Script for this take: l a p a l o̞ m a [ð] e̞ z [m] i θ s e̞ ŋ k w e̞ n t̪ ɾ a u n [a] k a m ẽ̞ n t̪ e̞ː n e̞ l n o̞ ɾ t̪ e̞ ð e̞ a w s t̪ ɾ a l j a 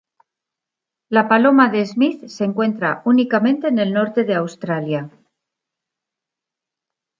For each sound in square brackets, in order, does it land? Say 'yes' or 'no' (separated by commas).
yes, yes, no